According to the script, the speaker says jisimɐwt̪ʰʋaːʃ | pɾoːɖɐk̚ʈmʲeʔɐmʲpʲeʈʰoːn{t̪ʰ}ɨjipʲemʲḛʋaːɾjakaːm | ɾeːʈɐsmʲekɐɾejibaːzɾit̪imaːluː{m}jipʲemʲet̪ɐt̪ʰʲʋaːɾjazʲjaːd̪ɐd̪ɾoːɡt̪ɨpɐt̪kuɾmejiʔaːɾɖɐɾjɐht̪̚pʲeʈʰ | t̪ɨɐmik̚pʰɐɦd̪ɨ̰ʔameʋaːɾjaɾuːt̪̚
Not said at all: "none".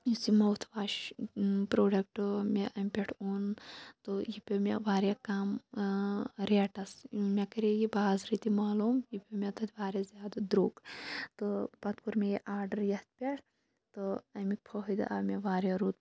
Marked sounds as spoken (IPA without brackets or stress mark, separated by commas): t̪, m